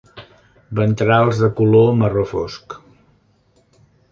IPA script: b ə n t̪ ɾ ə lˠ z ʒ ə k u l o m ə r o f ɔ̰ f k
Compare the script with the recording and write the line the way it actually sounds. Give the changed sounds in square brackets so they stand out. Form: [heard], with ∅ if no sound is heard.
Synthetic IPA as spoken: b ə n t̪ ɾ [a] lˠ z [ð] ə k u l o m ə r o f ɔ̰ [s] k